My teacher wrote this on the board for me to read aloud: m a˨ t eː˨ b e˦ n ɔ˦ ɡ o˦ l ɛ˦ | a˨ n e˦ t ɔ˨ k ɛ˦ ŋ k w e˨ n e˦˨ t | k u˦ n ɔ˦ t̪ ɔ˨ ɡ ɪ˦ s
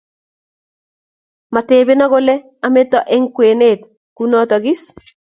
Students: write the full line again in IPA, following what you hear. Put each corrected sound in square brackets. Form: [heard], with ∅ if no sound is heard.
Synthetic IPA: m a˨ t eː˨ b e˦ n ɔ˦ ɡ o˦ l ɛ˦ | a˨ [m] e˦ t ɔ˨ [ʔ] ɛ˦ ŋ k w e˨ n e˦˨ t | k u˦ n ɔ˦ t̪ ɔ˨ ɡ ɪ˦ s